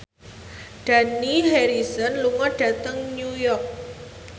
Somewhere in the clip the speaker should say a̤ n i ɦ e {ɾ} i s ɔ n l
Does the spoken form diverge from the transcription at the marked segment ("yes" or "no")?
no